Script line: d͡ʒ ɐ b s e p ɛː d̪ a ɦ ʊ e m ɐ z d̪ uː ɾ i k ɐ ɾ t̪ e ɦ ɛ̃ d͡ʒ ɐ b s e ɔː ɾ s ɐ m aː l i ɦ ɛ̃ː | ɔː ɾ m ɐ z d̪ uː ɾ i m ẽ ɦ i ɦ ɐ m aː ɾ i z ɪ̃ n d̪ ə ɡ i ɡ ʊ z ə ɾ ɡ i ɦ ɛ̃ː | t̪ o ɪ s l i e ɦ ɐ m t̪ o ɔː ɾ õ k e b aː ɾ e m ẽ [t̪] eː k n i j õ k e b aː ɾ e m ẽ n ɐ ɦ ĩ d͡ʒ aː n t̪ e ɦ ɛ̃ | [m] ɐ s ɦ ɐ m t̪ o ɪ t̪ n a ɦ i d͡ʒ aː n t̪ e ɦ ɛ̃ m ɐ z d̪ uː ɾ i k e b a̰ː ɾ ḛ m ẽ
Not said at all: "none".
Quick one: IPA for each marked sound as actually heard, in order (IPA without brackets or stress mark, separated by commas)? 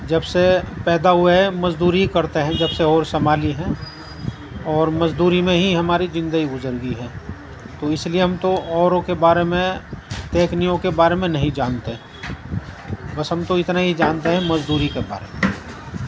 t̪, b